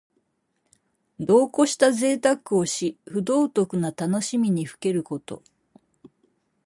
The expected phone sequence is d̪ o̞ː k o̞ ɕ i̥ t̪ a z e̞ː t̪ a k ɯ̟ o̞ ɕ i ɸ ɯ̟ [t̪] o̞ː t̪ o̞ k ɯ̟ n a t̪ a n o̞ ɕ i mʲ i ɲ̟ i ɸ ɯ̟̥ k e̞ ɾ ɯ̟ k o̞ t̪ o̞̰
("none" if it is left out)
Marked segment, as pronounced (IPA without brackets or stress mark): d̪